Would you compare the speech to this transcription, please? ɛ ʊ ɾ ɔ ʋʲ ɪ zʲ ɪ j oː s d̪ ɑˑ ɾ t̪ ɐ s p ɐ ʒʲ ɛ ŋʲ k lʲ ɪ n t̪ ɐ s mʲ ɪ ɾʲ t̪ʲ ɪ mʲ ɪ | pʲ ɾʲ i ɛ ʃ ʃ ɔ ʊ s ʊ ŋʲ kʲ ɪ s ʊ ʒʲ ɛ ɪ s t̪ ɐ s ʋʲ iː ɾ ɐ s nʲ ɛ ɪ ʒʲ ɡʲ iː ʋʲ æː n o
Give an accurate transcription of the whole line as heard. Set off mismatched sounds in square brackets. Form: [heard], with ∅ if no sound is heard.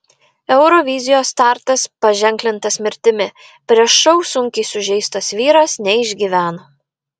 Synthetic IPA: ɛ ʊ ɾ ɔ ʋʲ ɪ zʲ ɪ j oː s [t̪] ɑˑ ɾ t̪ ɐ s p ɐ ʒʲ ɛ ŋʲ k lʲ ɪ n t̪ ɐ s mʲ ɪ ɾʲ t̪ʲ ɪ mʲ ɪ | pʲ ɾʲ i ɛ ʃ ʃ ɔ ʊ s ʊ ŋʲ kʲ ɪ s ʊ ʒʲ ɛ ɪ s t̪ ɐ s ʋʲ iː ɾ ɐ s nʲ ɛ ɪ ʒʲ ɡʲ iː ʋʲ æː n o

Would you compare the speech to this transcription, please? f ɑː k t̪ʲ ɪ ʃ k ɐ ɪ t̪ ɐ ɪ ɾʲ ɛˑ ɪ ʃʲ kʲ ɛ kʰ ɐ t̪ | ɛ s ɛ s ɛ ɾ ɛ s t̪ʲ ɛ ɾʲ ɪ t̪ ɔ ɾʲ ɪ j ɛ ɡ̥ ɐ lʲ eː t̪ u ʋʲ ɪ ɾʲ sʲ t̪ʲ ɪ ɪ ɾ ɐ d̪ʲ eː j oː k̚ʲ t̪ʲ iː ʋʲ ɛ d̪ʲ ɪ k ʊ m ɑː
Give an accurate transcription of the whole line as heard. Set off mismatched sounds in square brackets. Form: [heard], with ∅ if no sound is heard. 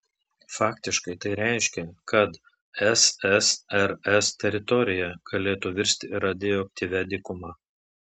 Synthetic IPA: f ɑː k t̪ʲ ɪ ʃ k ɐ ɪ t̪ ɐ ɪ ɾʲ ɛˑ ɪ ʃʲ kʲ ɛ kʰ ɐ t̪ | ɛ s ɛ s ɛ ɾ ɛ s t̪ʲ ɛ ɾʲ ɪ t̪ ɔ ɾʲ ɪ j ɛ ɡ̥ ɐ lʲ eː t̪ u ʋʲ ɪ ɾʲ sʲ t̪ʲ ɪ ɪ ɾ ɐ d̪ʲ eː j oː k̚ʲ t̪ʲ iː ʋʲ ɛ d̪ʲ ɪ k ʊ m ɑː

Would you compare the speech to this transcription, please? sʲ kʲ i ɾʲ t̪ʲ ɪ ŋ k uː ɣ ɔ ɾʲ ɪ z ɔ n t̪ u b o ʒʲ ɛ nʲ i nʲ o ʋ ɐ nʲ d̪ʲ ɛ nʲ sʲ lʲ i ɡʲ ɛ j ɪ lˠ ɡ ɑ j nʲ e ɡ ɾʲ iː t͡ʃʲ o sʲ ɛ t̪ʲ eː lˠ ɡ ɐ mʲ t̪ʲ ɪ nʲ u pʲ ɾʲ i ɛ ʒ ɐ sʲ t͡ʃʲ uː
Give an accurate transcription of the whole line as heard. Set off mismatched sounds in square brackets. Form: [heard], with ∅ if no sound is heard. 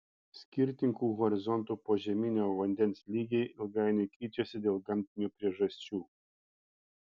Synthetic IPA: sʲ kʲ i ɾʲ t̪ʲ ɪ ŋ k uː ɣ ɔ ɾʲ ɪ z ɔ n t̪ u [p] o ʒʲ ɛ [mʲ] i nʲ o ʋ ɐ nʲ d̪ʲ ɛ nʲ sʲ lʲ i ɡʲ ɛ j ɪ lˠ ɡ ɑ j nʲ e [k] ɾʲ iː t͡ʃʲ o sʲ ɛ [d̪ʲ] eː lˠ ɡ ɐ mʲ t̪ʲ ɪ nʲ u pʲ ɾʲ i ɛ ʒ ɐ sʲ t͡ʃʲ uː

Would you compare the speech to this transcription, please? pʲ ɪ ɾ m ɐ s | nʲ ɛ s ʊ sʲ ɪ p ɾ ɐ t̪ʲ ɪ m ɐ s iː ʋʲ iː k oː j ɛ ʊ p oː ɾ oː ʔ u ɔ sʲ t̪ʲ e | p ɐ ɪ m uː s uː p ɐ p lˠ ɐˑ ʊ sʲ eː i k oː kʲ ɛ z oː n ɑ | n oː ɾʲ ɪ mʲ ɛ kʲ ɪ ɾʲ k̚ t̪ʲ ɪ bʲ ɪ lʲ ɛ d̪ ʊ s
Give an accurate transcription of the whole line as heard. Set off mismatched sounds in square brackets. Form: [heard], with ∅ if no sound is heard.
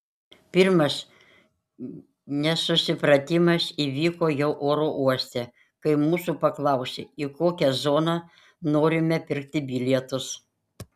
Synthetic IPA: pʲ ɪ ɾ m ɐ s | nʲ ɛ s ʊ sʲ ɪ p ɾ ɐ t̪ʲ ɪ m ɐ s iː ʋʲ iː k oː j ɛ ʊ [ʔ] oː ɾ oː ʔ u ɔ sʲ t̪ʲ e | [k] ɐ ɪ m uː s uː p ɐ [k] lˠ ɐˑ ʊ sʲ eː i k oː kʲ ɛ z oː n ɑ | n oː ɾʲ ɪ mʲ ɛ [pʲ] ɪ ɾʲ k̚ t̪ʲ ɪ bʲ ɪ lʲ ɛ [t̪] ʊ s

